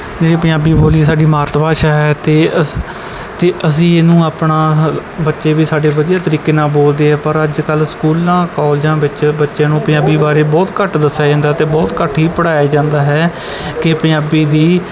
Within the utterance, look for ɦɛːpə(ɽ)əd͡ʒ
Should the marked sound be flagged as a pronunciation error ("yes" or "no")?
yes